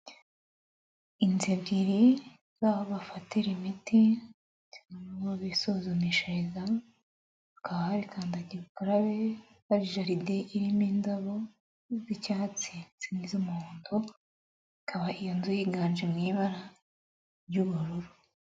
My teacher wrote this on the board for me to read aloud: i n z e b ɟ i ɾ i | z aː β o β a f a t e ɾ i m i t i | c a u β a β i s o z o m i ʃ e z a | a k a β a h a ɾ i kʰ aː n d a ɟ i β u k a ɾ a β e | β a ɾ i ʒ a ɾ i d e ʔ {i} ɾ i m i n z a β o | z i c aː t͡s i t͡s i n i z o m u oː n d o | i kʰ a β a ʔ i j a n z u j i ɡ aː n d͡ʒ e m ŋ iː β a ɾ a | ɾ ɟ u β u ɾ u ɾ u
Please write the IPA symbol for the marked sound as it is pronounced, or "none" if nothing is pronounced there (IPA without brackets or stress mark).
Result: i